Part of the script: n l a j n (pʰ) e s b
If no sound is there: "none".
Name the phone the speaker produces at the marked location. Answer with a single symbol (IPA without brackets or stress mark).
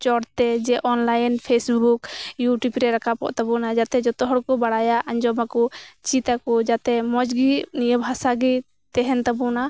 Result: pʰ